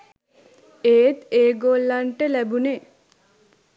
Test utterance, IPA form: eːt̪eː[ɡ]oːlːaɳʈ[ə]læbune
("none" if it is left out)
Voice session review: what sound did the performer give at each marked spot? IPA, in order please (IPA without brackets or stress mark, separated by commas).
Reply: ɡ, ə